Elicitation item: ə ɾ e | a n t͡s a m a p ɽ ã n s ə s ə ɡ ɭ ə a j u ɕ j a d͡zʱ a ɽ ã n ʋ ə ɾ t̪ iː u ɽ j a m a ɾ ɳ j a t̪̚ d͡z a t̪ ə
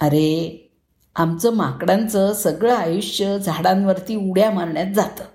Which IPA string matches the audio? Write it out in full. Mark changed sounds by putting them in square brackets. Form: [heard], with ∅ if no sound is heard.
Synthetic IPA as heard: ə ɾ e | a [m] t͡s [ə] m a [k] ɽ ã n [t͡s] ə s ə ɡ ɭ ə a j u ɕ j [ə] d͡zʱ a ɽ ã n ʋ ə ɾ t̪ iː u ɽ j a m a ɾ ɳ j a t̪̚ d͡z a t̪ ə